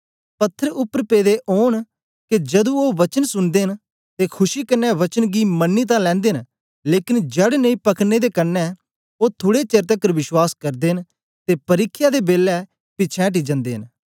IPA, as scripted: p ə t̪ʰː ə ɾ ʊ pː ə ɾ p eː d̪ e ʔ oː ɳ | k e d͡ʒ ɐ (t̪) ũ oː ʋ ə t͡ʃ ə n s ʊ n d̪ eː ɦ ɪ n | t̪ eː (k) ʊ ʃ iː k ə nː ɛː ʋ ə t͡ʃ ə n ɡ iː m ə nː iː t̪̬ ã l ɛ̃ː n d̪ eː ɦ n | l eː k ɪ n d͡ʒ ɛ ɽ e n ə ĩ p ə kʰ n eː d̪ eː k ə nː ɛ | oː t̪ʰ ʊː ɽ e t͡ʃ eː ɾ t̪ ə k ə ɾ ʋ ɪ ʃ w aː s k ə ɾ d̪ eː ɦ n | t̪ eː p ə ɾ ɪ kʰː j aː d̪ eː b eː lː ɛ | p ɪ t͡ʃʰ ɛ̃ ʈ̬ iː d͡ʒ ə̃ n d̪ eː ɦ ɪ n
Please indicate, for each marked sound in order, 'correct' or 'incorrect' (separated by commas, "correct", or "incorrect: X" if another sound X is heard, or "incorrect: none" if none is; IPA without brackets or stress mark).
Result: incorrect: d̪, incorrect: kʰ